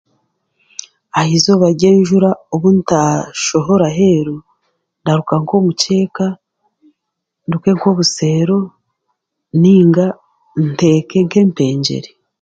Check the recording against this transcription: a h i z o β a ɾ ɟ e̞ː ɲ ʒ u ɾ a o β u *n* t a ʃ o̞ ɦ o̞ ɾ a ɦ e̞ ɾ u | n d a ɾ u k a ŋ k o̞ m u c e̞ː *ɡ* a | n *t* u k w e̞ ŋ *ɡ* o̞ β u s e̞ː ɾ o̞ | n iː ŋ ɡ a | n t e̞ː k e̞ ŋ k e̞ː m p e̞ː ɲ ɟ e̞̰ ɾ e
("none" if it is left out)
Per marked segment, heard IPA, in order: n, k, d, k

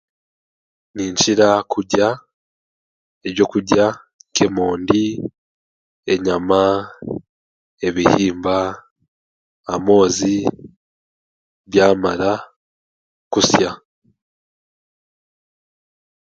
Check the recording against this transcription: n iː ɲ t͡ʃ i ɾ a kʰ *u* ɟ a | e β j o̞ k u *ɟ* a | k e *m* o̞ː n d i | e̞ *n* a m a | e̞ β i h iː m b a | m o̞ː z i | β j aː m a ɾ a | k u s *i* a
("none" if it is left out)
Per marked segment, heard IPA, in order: u, ɟ, m, ɲ, j

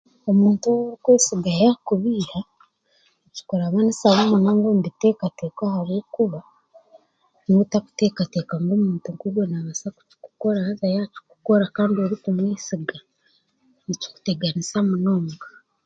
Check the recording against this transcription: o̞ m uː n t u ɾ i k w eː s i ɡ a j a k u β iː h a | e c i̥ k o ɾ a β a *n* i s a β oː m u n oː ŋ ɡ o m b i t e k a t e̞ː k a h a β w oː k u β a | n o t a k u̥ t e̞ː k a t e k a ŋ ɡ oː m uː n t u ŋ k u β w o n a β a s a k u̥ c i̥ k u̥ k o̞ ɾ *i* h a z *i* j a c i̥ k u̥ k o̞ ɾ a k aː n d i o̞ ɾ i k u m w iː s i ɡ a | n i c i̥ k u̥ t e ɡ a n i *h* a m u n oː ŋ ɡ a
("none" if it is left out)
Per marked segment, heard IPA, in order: n, a, a, s

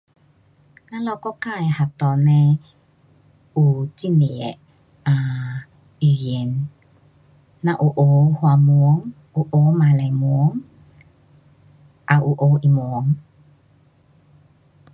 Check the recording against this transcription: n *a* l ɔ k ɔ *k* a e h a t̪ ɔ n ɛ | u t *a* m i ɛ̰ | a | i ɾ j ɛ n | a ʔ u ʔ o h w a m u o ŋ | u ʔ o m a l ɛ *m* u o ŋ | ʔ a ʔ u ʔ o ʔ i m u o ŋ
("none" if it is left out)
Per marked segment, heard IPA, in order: a, k, i, m

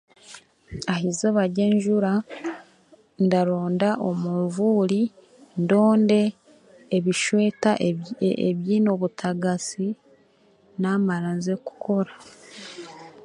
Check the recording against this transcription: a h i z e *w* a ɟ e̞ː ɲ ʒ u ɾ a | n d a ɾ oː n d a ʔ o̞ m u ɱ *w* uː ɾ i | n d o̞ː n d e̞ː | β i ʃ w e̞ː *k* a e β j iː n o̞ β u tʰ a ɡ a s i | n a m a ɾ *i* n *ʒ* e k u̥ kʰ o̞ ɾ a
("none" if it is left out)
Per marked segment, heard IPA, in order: β, v, t, a, z

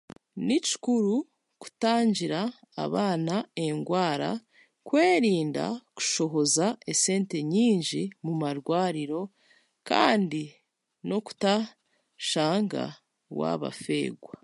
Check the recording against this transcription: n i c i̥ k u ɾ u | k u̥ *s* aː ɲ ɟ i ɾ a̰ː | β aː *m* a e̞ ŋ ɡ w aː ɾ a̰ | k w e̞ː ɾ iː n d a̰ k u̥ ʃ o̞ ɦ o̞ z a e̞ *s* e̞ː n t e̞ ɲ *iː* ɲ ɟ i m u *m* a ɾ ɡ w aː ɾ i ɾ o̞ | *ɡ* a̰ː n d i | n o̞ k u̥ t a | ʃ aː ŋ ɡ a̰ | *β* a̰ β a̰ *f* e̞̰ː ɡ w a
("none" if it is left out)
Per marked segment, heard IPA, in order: t, n, s, iː, m, k, w, f

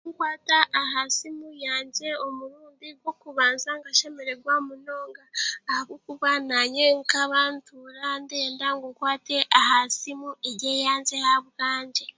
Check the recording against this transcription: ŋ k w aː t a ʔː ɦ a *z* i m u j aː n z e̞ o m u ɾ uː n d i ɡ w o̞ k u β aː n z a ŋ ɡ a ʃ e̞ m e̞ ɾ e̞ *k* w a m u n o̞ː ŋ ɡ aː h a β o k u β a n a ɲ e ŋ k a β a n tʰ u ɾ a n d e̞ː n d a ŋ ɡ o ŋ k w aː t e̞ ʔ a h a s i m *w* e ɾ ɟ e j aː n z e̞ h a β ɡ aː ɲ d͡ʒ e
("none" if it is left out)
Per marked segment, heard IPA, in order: s, ɡ, u

